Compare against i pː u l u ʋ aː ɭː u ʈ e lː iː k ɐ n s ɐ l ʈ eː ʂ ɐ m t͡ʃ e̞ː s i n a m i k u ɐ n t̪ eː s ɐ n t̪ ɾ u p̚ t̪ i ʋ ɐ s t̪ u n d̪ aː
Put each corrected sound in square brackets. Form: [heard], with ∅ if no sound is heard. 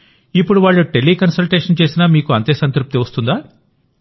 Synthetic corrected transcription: i pː u [ɽ] u ʋ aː ɭː u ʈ e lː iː k ɐ n s ɐ l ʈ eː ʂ ɐ [n] t͡ʃ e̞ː s i n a m [iː] k u ɐ n t̪ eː s ɐ n t̪ ɾ u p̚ t̪ i ʋ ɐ s t̪ u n d̪ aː